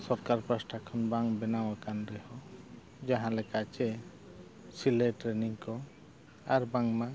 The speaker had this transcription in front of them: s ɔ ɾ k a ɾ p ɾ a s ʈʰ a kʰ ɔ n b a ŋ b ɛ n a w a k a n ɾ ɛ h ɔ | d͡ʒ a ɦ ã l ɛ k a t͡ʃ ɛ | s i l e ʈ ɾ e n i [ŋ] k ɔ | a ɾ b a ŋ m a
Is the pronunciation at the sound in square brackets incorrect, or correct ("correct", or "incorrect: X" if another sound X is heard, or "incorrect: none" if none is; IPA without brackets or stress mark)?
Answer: correct